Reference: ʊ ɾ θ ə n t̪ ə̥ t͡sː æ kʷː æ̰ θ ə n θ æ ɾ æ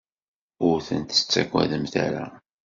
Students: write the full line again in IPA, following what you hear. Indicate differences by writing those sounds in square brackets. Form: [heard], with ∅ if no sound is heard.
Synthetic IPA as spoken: ʊ ɾ θ ə n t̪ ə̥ t͡sː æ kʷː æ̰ [ð] ə [m] θ æ ɾ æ

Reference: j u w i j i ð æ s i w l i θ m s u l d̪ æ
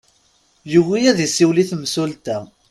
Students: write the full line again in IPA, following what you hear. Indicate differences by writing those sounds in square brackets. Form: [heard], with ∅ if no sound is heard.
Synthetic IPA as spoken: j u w i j [æ] ð [i] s i w l i θ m s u l [t̪] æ

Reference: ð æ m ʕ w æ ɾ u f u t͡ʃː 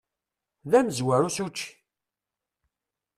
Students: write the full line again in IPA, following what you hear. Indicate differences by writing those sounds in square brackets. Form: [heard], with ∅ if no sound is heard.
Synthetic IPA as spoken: ð æ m [z] w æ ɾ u [s] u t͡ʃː

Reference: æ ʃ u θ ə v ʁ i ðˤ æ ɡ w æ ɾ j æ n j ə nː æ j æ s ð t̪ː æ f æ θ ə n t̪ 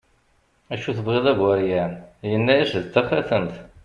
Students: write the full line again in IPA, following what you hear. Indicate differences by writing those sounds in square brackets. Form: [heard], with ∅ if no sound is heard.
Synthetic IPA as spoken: æ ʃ u θ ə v ʁ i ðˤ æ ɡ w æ ɾ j æ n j ə nː æ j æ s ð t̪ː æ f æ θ ə n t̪

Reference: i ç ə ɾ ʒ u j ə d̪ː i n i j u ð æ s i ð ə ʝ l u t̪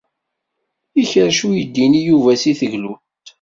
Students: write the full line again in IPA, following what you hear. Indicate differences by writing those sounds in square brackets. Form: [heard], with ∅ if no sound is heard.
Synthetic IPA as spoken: i ç ə ɾ [ʃ] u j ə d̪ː i n i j u [v] æ s i [θ] ə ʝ l u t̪

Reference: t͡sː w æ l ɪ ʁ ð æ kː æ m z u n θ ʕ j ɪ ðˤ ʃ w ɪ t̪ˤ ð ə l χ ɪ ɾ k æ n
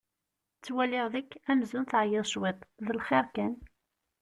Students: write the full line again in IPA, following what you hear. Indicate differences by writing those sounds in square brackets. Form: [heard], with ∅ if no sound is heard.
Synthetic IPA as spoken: t͡sː w æ l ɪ ʁ ð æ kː æ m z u n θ ʕ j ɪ ðˤ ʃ w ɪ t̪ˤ ð ə l χ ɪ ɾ k æ n

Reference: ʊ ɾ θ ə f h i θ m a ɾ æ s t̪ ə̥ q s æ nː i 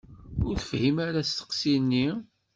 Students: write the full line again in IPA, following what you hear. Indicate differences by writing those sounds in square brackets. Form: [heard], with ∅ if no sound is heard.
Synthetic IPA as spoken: ʊ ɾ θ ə f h i [∅] m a ɾ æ s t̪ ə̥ q s [i] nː i

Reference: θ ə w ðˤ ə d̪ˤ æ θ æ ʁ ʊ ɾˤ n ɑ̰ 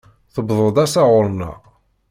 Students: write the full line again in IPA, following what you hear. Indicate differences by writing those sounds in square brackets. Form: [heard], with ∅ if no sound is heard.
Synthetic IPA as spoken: θ ə [b] ðˤ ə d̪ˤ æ [s] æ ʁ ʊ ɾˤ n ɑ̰

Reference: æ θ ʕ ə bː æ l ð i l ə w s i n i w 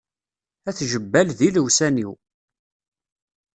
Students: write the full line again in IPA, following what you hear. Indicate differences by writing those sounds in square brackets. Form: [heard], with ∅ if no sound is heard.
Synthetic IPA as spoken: æ θ [ʒ] ə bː æ l ð i l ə w s [æ] n i w

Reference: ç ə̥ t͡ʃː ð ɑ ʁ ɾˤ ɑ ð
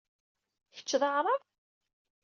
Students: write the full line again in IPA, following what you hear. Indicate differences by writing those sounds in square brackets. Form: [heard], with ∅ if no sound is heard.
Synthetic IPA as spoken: ç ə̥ t͡ʃː ð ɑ ʁ ɾˤ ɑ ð

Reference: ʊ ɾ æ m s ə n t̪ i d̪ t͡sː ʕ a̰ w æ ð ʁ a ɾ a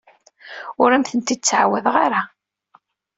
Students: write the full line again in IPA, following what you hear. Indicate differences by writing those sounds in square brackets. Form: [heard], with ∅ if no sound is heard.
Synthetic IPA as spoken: ʊ ɾ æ m [θ] ə n t̪ i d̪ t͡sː ʕ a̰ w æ ð ʁ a ɾ a

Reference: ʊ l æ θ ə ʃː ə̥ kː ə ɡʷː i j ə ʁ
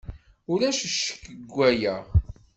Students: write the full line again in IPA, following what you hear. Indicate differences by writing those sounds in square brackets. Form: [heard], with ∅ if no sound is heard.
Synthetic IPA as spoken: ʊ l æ [ʃ] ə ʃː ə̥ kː ə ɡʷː [æ] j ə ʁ

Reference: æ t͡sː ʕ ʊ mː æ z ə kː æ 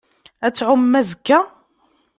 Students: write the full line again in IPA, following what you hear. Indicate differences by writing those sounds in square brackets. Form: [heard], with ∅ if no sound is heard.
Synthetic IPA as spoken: æ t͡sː ʕ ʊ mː æ z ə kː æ

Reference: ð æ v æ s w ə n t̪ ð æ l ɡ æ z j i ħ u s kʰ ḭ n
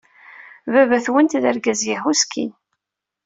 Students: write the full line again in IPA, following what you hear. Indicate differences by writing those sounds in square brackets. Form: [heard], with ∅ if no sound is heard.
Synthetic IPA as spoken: [v] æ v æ [θ] w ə n t̪ ð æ [ɾ] ɡ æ z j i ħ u s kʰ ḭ n

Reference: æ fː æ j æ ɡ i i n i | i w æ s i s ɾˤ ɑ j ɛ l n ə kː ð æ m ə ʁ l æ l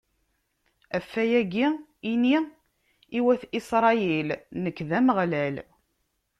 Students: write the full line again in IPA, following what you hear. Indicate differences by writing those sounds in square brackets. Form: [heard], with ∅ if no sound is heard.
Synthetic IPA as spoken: æ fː æ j æ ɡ i i n i | i w æ [θ] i s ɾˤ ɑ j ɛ l n ə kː ð æ m ə ʁ l æ l

